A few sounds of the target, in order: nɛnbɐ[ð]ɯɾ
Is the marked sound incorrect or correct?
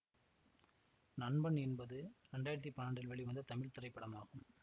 correct